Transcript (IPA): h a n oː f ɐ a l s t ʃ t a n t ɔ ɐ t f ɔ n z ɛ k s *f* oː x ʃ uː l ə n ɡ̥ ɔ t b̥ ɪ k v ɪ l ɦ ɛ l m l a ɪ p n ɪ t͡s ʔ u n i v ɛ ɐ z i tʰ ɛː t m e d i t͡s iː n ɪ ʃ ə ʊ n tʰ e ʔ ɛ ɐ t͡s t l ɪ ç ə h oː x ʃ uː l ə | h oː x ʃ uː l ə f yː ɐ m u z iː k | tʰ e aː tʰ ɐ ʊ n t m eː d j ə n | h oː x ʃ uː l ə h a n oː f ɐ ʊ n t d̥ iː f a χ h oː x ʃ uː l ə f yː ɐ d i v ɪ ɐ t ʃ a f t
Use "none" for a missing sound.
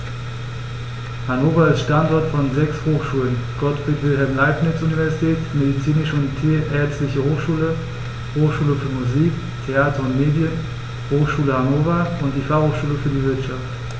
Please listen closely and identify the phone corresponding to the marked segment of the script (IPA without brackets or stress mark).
h